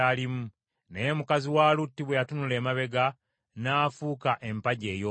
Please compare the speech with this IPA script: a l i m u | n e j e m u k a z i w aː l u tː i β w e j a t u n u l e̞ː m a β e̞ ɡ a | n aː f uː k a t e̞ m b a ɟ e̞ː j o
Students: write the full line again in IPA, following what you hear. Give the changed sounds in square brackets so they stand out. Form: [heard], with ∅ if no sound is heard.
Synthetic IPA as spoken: a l i m u | n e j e m u k a z i w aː l u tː i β w e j a t u n u l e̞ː m a β e̞ ɡ a | n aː f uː k a [ʔ] e̞ m [p] a ɟ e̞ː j o